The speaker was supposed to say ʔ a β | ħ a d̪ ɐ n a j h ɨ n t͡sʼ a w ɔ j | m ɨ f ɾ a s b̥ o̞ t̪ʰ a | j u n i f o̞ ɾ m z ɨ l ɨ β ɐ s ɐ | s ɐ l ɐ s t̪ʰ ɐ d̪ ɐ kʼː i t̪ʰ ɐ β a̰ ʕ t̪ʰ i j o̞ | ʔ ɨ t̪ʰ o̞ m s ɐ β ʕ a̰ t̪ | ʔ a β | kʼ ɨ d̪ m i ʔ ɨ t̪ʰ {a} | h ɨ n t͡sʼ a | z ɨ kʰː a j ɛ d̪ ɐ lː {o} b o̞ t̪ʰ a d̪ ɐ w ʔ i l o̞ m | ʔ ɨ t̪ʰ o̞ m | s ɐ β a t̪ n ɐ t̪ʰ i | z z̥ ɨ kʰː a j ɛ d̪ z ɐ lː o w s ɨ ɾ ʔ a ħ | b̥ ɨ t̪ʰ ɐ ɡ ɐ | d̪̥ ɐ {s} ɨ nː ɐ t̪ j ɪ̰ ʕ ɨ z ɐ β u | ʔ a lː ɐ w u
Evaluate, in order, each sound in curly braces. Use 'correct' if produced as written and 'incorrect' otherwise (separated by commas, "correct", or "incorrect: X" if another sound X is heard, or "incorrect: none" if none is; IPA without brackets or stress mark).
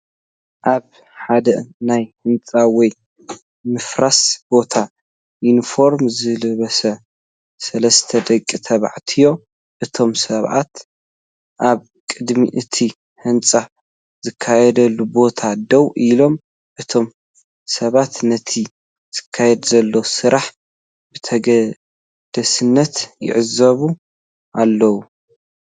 incorrect: i, incorrect: u, correct